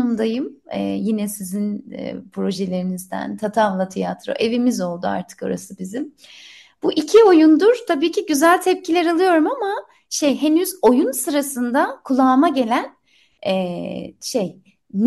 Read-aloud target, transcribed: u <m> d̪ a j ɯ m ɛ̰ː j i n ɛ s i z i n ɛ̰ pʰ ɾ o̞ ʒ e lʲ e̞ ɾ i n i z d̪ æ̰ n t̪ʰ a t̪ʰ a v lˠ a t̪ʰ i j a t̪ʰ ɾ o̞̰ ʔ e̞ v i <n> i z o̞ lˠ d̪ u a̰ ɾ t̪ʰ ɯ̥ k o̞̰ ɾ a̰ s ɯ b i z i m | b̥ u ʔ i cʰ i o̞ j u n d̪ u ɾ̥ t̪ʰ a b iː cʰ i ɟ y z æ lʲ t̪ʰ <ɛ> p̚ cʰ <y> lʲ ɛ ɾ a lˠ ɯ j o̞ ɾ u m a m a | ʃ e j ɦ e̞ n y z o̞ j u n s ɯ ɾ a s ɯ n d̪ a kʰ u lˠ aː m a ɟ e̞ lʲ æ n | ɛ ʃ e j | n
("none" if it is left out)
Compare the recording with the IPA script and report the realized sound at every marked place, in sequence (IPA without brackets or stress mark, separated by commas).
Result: m, m, ɛ, i